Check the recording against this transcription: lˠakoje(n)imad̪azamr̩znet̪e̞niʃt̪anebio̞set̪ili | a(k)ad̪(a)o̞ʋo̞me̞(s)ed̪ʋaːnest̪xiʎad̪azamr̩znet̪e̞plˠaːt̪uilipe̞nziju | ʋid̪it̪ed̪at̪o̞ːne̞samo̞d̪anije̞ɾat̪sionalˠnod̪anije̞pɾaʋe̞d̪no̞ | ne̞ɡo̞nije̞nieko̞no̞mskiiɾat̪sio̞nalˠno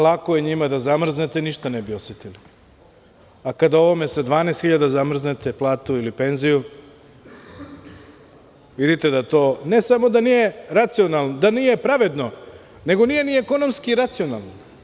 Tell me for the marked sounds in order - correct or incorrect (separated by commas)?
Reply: incorrect, correct, correct, correct